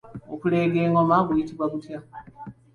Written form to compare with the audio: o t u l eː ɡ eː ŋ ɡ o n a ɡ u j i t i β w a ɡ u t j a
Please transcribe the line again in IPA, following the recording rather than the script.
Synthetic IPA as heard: o k u l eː ɡ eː ŋ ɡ o m a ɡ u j i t i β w a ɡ u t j a